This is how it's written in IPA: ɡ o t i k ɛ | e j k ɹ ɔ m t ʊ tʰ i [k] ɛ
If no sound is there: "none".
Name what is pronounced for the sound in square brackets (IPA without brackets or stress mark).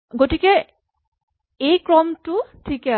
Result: k